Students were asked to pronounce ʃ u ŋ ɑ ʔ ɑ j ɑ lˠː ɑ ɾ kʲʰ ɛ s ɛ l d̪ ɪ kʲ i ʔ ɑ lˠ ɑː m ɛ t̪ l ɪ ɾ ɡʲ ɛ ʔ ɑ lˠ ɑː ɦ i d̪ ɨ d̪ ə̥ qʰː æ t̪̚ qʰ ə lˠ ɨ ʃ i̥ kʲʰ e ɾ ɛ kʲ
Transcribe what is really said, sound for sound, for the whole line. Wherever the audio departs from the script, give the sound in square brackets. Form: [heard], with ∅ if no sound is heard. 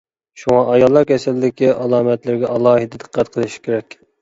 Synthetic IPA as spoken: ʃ u ŋ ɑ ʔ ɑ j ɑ lˠː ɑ ɾ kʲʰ ɛ s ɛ l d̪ ɪ kʲ i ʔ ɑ lˠ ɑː m ɛ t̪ l ɪ ɾ ɡʲ ɛ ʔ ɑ lˠ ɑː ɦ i d̪ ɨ d̪ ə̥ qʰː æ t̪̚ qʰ ə lˠ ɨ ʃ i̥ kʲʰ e ɾ ɛ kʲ